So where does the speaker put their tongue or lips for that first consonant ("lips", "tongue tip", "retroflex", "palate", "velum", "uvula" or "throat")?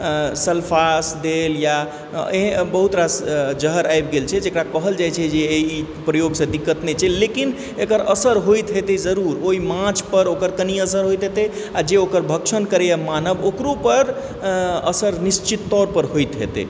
tongue tip